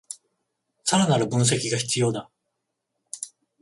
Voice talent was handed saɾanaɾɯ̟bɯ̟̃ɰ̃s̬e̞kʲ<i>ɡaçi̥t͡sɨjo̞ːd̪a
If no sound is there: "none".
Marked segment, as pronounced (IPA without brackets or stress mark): i